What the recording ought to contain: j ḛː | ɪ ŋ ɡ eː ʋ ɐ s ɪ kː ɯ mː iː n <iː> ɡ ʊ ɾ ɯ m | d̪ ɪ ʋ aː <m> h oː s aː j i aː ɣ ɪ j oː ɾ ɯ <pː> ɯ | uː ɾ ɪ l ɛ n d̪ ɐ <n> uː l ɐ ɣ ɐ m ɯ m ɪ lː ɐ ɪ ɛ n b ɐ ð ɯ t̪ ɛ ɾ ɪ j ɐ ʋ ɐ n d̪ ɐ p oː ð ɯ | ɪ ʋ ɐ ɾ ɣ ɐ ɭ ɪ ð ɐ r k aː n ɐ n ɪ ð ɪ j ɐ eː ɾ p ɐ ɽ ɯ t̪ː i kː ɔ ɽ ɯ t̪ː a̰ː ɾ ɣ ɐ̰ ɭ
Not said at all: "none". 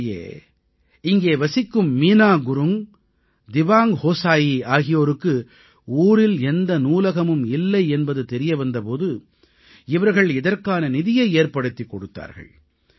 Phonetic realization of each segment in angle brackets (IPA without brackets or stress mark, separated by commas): aː, ŋ, kː, n